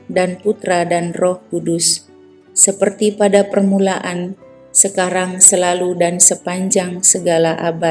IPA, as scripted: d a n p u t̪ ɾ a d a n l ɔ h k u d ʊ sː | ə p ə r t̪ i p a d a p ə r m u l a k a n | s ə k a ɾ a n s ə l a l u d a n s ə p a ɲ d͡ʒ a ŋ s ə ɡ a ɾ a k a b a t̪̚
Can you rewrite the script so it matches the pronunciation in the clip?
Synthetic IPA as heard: d a n p u t̪ ɾ a d a n r ɔ h k u d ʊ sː | ə p ə r t̪ i p a d a p ə r m u l a ʔ a n | s ə k a ɾ a ŋ s ə l a l u d a n s ə p a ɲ d͡ʒ a ŋ s ə ɡ a l a ʔ a b a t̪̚